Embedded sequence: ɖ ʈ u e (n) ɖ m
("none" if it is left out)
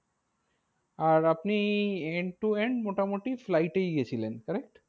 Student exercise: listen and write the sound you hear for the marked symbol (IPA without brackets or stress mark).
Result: ɳ